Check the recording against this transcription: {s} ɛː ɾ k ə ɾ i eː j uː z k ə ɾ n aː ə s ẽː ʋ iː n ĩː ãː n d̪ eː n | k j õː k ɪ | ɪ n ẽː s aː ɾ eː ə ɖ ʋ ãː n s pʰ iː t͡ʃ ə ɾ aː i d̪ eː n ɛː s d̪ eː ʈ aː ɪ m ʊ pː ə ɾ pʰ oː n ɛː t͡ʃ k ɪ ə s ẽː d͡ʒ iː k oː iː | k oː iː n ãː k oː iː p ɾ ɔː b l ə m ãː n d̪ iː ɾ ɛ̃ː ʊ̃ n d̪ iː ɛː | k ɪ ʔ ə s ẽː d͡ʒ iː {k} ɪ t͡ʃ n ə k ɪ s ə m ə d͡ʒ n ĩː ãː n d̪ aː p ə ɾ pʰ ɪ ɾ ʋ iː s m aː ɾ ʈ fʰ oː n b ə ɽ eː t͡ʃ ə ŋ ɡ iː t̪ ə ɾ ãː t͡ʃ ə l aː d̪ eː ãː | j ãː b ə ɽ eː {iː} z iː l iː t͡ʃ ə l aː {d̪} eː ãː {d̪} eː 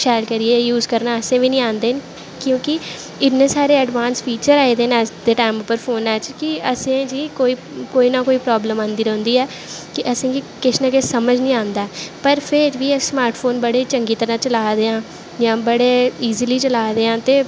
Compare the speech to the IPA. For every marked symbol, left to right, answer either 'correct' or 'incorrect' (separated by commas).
incorrect, correct, correct, correct, incorrect